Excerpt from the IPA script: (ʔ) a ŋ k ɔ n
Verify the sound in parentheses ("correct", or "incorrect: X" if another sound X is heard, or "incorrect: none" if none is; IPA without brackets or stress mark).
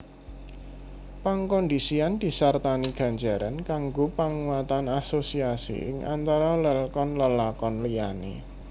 incorrect: p